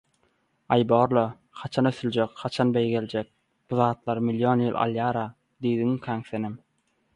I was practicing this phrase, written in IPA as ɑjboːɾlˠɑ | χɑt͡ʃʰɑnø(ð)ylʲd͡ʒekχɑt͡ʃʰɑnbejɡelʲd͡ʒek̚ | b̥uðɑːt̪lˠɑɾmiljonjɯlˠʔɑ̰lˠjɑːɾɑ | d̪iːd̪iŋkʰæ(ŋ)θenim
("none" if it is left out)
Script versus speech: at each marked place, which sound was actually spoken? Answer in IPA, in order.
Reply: θ, ŋ

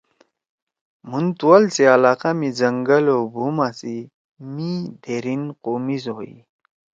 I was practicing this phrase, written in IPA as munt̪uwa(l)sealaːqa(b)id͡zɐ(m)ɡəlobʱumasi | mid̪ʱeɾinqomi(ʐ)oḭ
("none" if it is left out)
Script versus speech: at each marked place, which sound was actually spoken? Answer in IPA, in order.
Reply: l, m, ŋ, z

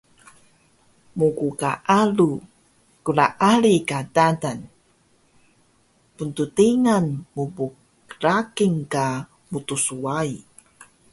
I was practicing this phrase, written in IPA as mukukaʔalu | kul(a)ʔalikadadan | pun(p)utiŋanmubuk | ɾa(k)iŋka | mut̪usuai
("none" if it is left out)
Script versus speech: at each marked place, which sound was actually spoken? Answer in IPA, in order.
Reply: a, t, k

